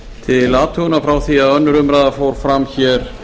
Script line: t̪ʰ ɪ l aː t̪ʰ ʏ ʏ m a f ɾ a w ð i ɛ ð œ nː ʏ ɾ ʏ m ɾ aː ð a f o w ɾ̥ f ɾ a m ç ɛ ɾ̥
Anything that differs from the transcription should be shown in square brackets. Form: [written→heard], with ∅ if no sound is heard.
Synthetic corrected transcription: t̪ʰ ɪ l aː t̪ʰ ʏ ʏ [m→n] a f ɾ a w [ð→θ] i [ɛ→a] ð œ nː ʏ ɾ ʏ m ɾ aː ð a f o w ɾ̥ f ɾ a m ç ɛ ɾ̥

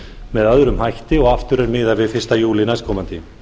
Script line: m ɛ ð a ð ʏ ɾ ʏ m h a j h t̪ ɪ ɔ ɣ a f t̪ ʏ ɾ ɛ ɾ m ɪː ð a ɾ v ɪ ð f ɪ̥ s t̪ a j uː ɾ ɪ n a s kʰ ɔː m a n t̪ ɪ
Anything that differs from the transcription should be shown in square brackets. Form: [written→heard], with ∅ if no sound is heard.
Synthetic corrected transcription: m ɛ ð a ð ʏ ɾ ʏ m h a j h t̪ ɪ ɔ ɣ a f t̪ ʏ ɾ ɛ ɾ m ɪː ð a ɾ v ɪ ð f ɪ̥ s t̪ a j uː [ɾ→l] ɪ n a s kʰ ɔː m a n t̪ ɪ

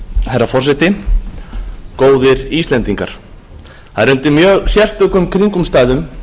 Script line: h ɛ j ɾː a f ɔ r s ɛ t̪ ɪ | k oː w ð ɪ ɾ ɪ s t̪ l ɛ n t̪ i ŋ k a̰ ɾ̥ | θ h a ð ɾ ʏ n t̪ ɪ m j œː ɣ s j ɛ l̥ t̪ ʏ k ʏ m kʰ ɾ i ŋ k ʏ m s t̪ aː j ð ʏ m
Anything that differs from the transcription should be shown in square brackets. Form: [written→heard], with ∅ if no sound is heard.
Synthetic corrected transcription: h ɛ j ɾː a f ɔ r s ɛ t̪ ɪ | k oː w ð ɪ ɾ [ɪ→i] s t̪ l ɛ n t̪ i ŋ k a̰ ɾ̥ | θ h a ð ɾ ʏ n t̪ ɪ m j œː ɣ s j ɛ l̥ t̪ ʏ k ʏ m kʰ ɾ i ŋ k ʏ m s t̪ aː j ð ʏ m

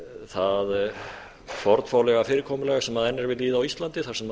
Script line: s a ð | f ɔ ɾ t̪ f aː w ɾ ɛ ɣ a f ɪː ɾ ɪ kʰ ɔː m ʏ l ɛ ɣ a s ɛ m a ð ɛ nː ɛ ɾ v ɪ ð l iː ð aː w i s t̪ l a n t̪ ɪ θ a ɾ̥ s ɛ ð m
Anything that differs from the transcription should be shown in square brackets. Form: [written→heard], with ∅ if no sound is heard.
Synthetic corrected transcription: [s→θ] a ð | f ɔ ɾ t̪ f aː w [ɾ→l] ɛ ɣ a f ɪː ɾ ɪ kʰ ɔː m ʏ l ɛ ɣ a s ɛ m a ð ɛ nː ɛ ɾ v ɪ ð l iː ð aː w i s t̪ l a n t̪ ɪ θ a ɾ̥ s ɛ [ð→∅] m

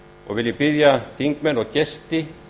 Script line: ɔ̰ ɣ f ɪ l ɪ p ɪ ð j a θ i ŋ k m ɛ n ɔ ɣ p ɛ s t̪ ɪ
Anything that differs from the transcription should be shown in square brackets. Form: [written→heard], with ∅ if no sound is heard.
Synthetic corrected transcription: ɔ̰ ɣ [f→v] ɪ l ɪ p ɪ ð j a θ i ŋ k m ɛ n ɔ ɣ [p→c] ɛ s t̪ ɪ

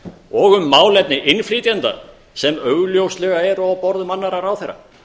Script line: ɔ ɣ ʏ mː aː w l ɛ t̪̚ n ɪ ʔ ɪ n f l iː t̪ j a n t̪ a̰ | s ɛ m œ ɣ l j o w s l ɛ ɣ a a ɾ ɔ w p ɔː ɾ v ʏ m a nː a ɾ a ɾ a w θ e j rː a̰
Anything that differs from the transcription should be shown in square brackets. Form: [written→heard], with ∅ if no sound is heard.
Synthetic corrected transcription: ɔ ɣ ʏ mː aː w l ɛ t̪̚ n ɪ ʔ ɪ n f l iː t̪ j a n t̪ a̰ | s ɛ m œ ɣ l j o w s l ɛ ɣ a [a→ɛ] ɾ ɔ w p [ɔː→ɔ] ɾ [v→ð] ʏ m a nː a ɾ a ɾ a w θ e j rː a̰

